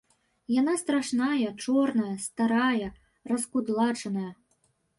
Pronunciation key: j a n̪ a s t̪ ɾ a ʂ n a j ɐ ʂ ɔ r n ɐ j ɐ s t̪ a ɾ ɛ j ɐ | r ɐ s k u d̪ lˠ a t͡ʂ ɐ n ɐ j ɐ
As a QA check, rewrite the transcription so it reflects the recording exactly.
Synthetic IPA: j a n̪ a s t̪ ɾ a ʂ n a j ɐ t͡ʂ ɔ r n ɐ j ɐ s t̪ a ɾ a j ɐ | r ɐ s k u d̪ lˠ a t͡ʂ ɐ n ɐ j ɐ